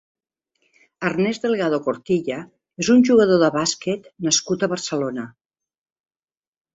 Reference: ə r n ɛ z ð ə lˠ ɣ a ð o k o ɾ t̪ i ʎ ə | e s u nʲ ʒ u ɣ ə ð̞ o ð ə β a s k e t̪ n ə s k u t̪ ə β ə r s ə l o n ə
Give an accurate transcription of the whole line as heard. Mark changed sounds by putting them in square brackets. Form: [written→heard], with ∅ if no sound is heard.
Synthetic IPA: ə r n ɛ z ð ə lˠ ɣ a ð o k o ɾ t̪ i ʎ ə | e [s→z] u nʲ ʒ u ɣ ə ð̞ o ð ə β a s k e t̪ n ə s k u t̪ ə β ə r s ə l o n ə